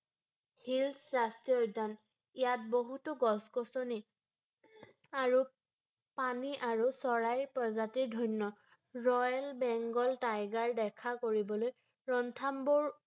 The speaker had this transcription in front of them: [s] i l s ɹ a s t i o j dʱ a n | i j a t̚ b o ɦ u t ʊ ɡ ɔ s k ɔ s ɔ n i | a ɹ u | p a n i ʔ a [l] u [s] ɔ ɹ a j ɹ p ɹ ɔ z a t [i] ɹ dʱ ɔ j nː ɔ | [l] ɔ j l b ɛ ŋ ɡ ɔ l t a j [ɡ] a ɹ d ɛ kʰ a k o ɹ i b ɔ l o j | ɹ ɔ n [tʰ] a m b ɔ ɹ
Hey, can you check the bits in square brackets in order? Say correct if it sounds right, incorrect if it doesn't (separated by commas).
incorrect, incorrect, correct, correct, incorrect, correct, correct